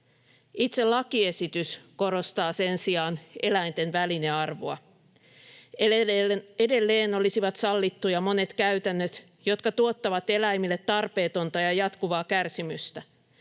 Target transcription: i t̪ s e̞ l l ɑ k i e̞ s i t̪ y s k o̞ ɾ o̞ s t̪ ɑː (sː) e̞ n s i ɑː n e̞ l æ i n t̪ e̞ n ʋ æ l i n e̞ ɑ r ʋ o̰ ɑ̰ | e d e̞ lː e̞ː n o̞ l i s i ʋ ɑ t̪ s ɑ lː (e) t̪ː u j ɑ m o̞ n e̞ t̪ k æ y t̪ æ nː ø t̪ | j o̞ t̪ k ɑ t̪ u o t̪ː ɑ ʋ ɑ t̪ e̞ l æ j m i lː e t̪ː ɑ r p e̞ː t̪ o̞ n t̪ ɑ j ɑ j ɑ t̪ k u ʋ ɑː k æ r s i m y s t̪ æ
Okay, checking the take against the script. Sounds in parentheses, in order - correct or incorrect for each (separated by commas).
incorrect, incorrect